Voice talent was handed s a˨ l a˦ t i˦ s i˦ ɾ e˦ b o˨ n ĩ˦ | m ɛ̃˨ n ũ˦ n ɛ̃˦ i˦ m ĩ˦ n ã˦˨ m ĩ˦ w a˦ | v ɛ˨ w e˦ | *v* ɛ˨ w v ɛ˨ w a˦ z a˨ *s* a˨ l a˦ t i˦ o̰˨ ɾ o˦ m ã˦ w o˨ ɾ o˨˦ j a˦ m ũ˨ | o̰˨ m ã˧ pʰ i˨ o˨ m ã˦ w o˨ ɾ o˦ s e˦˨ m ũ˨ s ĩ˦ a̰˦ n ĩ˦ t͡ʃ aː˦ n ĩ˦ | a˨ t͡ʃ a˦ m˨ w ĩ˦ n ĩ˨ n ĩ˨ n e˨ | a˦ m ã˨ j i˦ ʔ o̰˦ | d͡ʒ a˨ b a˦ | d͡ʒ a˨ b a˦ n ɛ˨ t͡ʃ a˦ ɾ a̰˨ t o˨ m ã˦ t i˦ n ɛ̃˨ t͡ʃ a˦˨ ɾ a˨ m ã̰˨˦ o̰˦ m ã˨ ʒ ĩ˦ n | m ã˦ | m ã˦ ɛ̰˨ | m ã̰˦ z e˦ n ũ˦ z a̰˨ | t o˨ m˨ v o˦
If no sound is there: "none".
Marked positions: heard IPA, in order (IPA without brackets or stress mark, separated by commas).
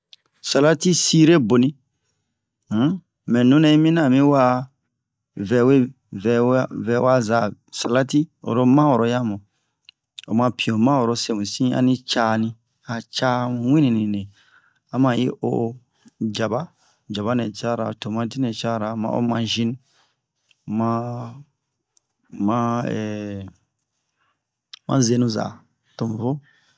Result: v, s